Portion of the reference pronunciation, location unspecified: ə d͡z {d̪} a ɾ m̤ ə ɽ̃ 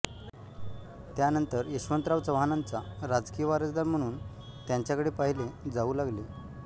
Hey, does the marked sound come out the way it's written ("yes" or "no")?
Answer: yes